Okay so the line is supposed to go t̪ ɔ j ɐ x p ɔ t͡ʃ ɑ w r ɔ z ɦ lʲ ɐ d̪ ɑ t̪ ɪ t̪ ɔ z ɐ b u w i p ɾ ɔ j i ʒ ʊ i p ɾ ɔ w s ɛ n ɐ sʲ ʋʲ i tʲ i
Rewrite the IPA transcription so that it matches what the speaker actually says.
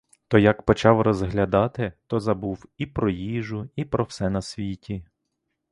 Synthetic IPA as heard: t̪ ɔ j ɐ k p ɔ t͡ʃ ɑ w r ɔ z ɦ lʲ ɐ d̪ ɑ t̪ ɪ t̪ ɔ z ɐ b u w i p ɾ ɔ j i ʒ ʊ i p ɾ ɔ w s ɛ n ɐ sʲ ʋʲ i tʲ i